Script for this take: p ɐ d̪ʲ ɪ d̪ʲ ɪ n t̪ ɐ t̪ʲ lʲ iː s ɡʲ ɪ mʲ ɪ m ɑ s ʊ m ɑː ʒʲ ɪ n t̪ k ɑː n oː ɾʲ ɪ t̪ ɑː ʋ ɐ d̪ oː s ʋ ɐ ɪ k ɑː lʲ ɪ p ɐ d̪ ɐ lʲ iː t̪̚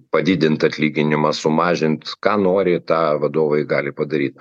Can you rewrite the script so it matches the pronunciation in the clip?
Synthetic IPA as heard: p ɐ d̪ʲ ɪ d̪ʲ ɪ n t̪ ɐ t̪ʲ lʲ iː ɡʲ ɪ nʲ ɪ m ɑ s ʊ m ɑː ʒʲ ɪ n t̪ k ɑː n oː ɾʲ ɪ t̪ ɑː ʋ ɐ d̪ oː ʋ ɐ ɪ ɡ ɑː lʲ ɪ p ɐ d̪ ɐ ɾʲ iː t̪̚